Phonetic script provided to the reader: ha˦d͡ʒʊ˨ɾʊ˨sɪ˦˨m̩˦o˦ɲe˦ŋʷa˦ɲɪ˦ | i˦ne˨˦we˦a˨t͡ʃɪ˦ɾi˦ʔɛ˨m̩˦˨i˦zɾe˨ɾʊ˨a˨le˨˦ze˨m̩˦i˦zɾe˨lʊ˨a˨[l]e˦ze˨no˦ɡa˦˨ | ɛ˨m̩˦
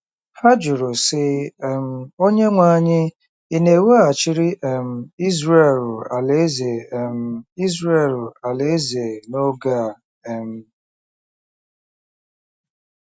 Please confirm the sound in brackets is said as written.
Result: yes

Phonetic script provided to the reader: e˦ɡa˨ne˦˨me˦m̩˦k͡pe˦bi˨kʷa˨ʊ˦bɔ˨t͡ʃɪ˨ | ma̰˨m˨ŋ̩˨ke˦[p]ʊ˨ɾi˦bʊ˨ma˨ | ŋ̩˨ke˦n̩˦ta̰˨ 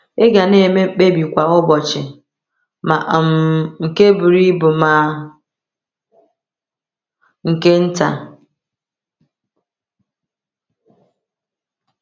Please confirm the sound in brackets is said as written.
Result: no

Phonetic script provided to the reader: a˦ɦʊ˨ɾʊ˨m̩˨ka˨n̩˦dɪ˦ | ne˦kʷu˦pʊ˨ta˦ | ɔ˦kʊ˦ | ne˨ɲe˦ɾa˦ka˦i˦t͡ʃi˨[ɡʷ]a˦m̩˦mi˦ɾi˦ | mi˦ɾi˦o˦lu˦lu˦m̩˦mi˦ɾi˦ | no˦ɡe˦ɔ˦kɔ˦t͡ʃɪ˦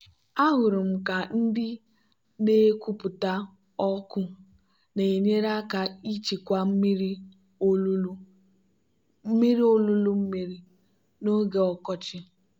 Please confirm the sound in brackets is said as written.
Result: no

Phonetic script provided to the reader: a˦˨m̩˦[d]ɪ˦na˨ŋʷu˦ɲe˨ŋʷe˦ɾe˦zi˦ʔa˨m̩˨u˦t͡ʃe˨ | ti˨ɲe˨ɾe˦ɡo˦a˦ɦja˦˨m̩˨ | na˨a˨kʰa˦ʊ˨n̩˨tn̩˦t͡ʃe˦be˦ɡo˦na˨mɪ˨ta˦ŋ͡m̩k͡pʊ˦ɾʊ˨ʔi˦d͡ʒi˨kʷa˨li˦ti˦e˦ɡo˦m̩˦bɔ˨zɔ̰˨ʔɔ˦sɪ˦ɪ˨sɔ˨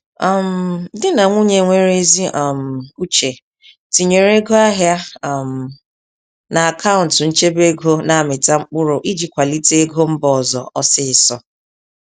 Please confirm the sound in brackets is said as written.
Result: yes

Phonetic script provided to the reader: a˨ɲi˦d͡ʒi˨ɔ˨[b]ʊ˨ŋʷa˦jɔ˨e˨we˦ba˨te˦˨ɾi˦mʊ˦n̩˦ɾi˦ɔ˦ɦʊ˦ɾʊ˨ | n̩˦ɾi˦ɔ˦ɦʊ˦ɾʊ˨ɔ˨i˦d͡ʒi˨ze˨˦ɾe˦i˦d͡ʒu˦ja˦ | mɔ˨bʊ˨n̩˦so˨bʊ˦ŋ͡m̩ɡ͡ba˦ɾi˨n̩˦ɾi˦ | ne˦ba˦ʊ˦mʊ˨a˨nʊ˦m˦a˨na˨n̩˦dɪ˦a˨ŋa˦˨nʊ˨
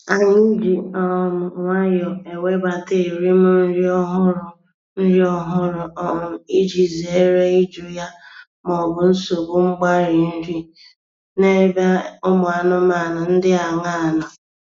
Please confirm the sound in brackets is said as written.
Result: no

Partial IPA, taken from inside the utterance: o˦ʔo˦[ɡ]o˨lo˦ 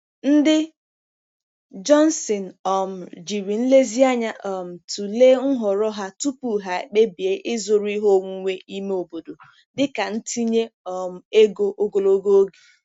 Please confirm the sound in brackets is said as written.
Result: yes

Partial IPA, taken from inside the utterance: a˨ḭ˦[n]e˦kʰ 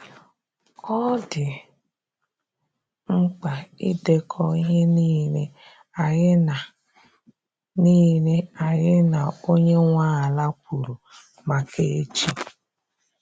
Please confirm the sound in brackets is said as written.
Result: no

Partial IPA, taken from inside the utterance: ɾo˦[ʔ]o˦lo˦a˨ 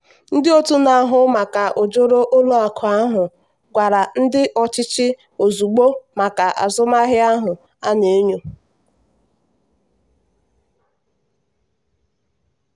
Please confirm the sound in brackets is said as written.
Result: yes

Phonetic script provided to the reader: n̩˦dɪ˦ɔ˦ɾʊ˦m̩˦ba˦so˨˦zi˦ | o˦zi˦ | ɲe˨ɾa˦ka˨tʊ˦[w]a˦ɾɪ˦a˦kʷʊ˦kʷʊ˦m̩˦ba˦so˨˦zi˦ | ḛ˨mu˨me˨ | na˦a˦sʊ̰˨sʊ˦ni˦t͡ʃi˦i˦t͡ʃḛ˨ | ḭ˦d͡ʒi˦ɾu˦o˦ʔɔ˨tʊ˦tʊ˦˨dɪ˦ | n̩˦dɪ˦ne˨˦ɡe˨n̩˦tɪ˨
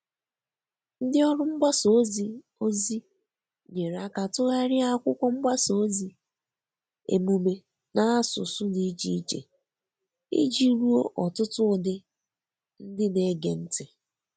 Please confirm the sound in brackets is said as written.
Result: no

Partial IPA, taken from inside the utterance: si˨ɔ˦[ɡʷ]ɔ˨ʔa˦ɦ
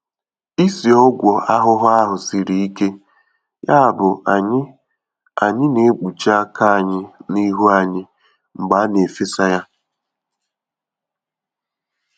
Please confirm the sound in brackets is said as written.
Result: yes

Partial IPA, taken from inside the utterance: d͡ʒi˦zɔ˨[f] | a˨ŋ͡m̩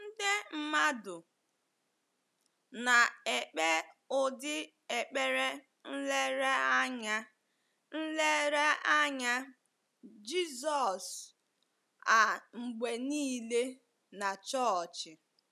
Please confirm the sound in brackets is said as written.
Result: no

